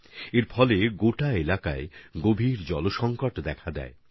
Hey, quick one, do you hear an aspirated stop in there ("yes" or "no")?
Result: yes